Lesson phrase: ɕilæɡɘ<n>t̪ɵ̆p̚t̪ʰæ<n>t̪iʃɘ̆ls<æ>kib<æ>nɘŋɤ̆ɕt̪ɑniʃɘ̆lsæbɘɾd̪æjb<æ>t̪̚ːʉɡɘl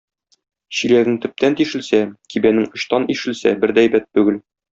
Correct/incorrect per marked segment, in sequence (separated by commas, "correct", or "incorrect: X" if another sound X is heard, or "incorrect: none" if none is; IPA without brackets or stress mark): incorrect: ŋ, correct, correct, correct, correct